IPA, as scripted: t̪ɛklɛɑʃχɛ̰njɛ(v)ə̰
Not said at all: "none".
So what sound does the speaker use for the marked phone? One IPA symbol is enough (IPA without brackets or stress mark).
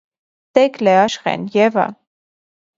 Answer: v